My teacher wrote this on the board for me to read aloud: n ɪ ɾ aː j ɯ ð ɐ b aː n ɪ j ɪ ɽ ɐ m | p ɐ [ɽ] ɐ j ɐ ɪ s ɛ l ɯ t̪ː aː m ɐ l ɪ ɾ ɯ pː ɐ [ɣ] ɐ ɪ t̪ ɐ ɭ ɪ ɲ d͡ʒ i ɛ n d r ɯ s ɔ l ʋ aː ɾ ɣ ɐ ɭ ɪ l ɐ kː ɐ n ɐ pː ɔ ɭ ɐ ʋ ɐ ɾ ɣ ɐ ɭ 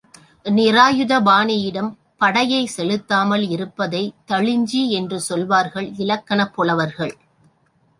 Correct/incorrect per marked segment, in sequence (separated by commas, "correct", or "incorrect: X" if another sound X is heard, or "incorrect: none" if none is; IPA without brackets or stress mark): correct, incorrect: ð